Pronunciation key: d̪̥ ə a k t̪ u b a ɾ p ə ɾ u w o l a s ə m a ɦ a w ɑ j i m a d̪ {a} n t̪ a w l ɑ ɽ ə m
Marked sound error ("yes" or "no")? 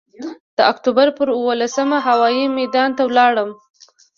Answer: yes